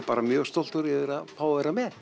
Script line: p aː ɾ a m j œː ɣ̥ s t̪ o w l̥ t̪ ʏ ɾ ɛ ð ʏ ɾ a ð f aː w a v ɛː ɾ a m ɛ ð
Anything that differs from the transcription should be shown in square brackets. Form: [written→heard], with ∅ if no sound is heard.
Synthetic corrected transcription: p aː ɾ a m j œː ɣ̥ s t̪ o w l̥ t̪ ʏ ɾ ɛ ð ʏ ɾ a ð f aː w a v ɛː ɾ a m ɛ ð

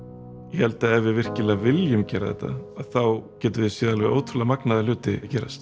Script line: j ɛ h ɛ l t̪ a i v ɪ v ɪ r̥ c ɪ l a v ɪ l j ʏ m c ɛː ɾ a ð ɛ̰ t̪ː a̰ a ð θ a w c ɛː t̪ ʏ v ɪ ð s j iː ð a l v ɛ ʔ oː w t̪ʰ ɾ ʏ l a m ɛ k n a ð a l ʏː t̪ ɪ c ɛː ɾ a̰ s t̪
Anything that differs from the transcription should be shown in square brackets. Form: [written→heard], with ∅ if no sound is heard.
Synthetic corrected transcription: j ɛ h ɛ l t̪ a [i→ɛ] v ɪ v ɪ r̥ c ɪ l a v ɪ l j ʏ m c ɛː ɾ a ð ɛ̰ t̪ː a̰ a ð θ a w c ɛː t̪ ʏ v ɪ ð s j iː ð a l v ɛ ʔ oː w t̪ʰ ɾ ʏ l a m [ɛ→a] k n a ð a l ʏː t̪ ɪ c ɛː ɾ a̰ s t̪

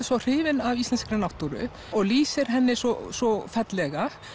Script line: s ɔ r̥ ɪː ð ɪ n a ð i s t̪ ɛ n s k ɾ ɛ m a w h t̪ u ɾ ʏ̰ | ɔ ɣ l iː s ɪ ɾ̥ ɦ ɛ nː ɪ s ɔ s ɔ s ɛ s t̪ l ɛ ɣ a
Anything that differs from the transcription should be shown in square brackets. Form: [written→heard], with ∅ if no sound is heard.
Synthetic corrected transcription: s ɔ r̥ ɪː [ð→v] ɪ n a [ð→v] i s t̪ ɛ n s k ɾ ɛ [m→n] a w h t̪ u ɾ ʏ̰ | ɔ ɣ l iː s ɪ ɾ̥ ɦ ɛ nː ɪ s ɔ s ɔ [s→f] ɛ [s→∅] t̪ l ɛ ɣ a

